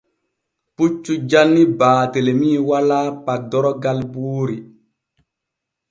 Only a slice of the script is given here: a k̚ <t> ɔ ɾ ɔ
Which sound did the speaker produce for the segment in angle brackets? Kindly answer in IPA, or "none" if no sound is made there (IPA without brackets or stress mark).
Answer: d